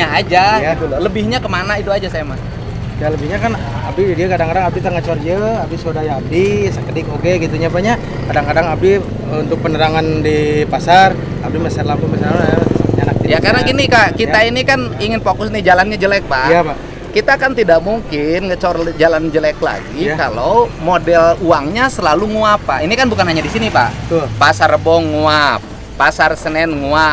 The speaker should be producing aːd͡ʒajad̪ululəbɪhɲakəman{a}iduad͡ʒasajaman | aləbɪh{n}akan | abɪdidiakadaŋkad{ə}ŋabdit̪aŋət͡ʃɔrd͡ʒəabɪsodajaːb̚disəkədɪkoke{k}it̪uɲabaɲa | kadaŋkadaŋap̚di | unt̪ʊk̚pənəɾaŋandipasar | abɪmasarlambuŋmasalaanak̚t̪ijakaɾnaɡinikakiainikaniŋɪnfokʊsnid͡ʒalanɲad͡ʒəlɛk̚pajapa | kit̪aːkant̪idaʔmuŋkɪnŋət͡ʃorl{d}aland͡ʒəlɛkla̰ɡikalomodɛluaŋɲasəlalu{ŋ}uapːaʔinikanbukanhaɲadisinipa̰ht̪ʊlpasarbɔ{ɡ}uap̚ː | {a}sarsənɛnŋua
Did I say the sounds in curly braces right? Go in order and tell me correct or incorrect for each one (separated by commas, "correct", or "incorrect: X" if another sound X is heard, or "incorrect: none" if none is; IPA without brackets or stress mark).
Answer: correct, incorrect: ɲ, incorrect: a, incorrect: ɡ, incorrect: d͡ʒ, correct, incorrect: ŋ, correct